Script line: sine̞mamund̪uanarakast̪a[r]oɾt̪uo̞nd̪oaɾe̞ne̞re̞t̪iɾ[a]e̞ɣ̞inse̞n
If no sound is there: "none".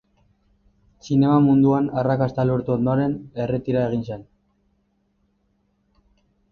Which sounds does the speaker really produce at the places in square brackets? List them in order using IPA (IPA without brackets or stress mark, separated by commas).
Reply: l, a